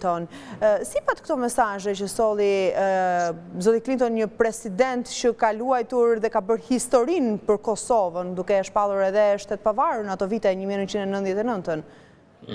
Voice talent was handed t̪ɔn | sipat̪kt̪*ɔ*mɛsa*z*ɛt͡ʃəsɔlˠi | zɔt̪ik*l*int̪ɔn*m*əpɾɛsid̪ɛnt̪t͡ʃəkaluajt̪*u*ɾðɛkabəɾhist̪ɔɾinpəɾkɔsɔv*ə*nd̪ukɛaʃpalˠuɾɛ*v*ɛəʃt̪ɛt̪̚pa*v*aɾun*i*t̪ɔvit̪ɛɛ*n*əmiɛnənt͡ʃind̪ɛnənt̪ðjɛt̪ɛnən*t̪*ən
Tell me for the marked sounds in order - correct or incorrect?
correct, incorrect: ʒ, correct, incorrect: ɲ, correct, correct, incorrect: ð, correct, incorrect: a, incorrect: ɲ, correct

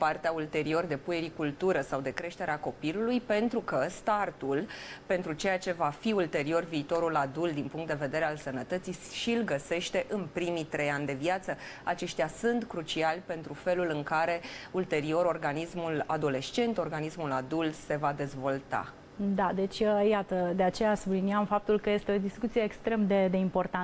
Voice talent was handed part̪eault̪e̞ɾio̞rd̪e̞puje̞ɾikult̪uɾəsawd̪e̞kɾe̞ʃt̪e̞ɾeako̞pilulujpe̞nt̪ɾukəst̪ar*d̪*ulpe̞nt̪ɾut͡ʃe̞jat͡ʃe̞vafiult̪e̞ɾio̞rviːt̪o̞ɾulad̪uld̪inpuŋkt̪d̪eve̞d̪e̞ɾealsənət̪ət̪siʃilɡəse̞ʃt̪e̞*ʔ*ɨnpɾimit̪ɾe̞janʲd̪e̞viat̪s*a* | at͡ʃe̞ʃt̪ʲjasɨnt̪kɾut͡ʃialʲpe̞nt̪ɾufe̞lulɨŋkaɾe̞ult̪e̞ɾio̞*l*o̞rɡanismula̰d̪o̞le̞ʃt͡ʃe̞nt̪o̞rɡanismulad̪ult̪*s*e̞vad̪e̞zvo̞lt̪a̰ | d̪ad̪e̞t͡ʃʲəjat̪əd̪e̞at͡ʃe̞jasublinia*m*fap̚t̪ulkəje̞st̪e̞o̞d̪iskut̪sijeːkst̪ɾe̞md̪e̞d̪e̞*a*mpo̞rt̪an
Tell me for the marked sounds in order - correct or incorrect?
incorrect: t̪, correct, incorrect: ə, incorrect: ɾ, correct, correct, incorrect: i

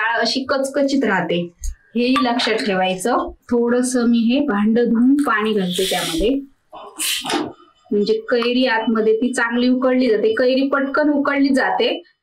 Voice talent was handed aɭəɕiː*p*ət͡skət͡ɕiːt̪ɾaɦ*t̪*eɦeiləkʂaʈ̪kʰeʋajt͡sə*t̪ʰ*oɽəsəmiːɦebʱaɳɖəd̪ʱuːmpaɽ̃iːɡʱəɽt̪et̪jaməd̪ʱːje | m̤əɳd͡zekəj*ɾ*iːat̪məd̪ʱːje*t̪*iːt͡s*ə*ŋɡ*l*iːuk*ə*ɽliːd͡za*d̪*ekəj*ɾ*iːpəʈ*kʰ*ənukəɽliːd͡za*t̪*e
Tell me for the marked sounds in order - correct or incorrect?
incorrect: k, correct, correct, correct, correct, incorrect: a, correct, correct, incorrect: t̪, correct, incorrect: k, correct

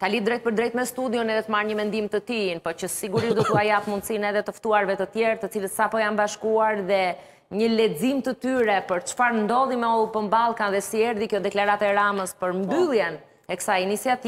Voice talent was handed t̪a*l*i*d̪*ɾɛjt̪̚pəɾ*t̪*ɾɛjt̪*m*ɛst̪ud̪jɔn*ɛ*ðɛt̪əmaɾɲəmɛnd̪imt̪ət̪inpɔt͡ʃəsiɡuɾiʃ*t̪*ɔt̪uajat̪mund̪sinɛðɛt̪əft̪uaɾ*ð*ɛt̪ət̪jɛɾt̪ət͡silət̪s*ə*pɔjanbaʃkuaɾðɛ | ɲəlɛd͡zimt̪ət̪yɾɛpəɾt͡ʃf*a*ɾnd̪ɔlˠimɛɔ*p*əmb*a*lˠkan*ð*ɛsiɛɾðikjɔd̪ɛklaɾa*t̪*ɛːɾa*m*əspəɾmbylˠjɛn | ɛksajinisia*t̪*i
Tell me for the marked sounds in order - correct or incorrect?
correct, correct, incorrect: d̪, correct, correct, incorrect: d̪, incorrect: v, incorrect: a, correct, correct, correct, correct, correct, correct, correct

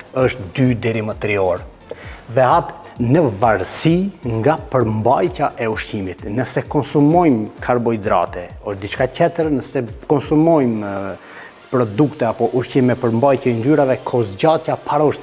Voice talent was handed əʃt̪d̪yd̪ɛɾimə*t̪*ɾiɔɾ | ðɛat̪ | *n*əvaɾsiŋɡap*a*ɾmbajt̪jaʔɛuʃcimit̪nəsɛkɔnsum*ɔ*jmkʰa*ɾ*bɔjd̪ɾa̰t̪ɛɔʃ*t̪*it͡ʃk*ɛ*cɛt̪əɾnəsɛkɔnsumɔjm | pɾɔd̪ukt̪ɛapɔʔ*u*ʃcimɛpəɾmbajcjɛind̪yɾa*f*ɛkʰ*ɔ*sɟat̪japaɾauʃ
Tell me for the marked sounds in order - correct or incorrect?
correct, correct, incorrect: ə, correct, correct, incorrect: d̪, incorrect: a, correct, incorrect: v, correct

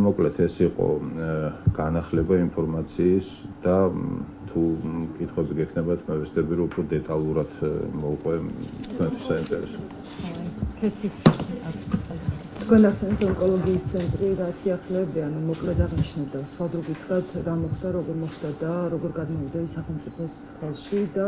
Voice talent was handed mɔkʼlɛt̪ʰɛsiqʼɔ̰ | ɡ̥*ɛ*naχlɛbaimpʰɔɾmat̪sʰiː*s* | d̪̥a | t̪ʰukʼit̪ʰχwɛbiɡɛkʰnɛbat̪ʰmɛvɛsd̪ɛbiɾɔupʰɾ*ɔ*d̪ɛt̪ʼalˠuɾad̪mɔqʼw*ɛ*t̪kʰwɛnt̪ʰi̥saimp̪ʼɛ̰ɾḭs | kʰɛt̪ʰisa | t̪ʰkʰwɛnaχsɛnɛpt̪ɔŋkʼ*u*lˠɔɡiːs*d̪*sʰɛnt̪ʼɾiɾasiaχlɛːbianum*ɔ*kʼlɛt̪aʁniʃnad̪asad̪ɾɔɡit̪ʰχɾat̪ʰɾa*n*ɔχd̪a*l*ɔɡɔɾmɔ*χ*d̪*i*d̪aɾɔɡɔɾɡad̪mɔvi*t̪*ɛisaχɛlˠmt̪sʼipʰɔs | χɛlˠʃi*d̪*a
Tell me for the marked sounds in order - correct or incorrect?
incorrect: a, correct, correct, correct, incorrect: ɔ, incorrect: t̪, correct, incorrect: m, incorrect: ɾ, correct, incorrect: a, incorrect: d̪, correct

